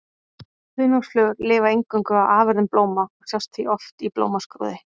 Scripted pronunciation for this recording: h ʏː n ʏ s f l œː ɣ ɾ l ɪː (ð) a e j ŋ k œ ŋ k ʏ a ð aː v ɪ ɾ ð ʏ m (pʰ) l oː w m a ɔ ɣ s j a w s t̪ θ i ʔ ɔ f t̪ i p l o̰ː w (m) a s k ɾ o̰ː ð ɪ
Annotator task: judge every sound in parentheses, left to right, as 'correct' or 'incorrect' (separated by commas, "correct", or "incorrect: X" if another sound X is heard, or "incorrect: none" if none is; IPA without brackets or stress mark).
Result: incorrect: v, incorrect: p, correct